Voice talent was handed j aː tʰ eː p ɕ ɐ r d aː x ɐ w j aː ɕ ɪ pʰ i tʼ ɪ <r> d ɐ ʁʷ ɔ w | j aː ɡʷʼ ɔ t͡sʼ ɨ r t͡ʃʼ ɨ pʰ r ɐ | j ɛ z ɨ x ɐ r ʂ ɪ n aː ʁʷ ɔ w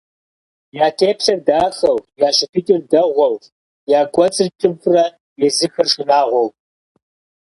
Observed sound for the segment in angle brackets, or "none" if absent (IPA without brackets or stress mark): r